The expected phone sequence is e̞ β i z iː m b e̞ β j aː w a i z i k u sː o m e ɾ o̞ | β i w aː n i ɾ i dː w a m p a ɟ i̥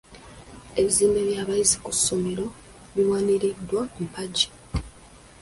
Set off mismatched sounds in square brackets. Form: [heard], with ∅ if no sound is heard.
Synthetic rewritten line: e̞ β i z iː m b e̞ β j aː [β] a i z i k u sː o m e ɾ o̞ | β i w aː n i ɾ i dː w a m p a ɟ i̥